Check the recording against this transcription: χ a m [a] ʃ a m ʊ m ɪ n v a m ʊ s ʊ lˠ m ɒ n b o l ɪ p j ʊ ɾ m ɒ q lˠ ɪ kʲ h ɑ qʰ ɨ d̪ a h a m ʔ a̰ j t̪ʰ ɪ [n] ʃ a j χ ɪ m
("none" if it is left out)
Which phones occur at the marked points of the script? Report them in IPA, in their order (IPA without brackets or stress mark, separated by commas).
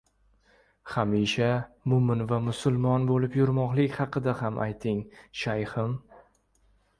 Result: i, ŋ